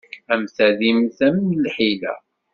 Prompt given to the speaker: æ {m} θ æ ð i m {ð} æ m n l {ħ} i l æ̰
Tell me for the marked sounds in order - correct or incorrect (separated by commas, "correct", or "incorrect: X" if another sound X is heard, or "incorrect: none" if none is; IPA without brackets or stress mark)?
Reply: correct, incorrect: θ, correct